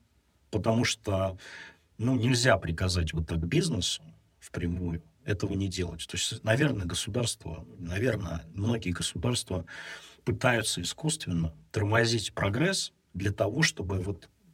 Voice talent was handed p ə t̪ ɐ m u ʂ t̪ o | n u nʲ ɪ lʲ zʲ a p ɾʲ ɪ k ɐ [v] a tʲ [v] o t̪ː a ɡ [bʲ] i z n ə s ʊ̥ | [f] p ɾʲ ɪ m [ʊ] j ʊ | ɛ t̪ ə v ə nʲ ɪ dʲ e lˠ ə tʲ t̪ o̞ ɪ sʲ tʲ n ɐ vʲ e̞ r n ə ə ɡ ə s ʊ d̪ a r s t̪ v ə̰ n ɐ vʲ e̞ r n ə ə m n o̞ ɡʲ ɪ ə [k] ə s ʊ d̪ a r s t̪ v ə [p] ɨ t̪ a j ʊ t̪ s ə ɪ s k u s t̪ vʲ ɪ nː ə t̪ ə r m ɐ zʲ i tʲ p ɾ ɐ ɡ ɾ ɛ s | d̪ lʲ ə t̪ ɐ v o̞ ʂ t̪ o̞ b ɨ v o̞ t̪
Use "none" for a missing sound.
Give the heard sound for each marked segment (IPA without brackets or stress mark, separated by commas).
z, v, bʲ, f, u, ɡ, p